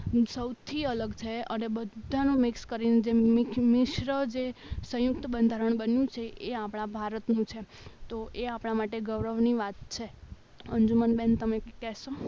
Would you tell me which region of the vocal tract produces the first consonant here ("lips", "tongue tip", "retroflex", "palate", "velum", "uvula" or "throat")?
tongue tip